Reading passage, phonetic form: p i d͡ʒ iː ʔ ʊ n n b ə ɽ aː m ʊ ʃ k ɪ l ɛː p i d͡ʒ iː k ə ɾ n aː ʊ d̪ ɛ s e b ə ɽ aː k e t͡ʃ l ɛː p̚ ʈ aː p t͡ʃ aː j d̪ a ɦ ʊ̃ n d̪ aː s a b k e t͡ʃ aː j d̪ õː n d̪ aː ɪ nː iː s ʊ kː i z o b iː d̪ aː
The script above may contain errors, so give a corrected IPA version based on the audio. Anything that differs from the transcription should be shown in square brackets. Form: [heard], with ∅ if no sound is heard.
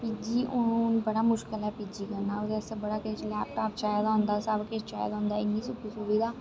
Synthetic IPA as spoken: p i d͡ʒ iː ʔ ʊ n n b ə ɽ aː m ʊ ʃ k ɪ l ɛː p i d͡ʒ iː k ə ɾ n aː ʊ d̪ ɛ s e b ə ɽ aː k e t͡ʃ l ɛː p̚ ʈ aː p t͡ʃ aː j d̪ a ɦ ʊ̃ n d̪ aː s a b k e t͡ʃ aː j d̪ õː n d̪ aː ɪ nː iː s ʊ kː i [s] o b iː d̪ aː